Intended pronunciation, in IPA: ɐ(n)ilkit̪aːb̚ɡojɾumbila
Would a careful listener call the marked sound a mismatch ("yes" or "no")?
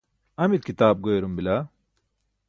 yes